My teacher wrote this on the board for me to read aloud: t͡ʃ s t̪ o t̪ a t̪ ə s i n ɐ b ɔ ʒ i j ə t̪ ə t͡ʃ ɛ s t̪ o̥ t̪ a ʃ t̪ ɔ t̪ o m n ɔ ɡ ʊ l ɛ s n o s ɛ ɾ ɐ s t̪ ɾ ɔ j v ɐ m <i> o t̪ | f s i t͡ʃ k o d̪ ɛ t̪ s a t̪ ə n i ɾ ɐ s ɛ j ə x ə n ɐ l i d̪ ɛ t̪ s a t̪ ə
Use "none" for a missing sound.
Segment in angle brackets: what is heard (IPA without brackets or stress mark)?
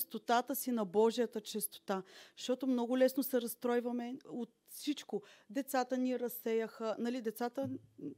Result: ɛ